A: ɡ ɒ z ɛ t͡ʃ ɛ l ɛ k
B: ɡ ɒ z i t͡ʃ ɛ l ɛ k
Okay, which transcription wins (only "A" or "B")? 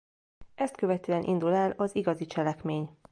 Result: B